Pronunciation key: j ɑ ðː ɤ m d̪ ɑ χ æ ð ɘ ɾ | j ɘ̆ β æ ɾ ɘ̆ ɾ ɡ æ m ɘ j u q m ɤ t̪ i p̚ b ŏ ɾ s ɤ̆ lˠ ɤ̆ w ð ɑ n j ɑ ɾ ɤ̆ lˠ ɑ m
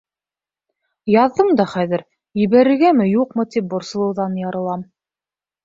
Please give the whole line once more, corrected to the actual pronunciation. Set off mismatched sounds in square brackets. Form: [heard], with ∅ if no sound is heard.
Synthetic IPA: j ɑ ðː ɤ m d̪ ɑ χ æ ð ɘ ɾ | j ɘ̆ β æ ɾ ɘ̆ ɾ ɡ æ m ɘ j u q m ɤ t̪ i p̚ b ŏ ɾ s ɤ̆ lˠ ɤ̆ w ð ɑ n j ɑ ɾ ɤ̆ lˠ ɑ m